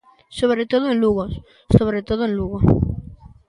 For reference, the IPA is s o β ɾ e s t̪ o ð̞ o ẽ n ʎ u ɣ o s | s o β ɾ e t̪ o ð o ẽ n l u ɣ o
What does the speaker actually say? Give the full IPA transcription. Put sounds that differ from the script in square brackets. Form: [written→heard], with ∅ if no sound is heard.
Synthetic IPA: s o β ɾ e [s→∅] t̪ o ð̞ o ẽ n [ʎ→l] u ɣ o s | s o β ɾ e t̪ o ð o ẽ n l u ɣ o